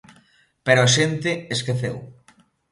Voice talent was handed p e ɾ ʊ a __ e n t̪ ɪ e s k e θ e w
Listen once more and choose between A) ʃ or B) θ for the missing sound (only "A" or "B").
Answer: A